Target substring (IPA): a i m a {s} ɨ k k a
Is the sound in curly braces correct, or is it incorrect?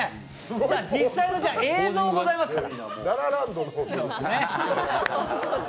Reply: correct